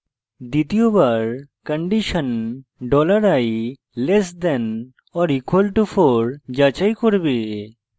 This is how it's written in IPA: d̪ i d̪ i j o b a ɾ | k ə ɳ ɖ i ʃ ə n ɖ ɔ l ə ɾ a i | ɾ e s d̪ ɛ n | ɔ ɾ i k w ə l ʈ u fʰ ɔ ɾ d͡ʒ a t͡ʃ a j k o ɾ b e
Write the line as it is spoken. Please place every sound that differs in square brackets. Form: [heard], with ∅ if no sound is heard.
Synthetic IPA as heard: d̪ i [t̪] i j o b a ɾ | k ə ɳ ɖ i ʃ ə n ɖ ɔ l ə ɾ a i | [l] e s d̪ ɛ n | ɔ ɾ i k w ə l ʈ u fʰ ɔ ɾ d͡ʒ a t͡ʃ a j k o ɾ b e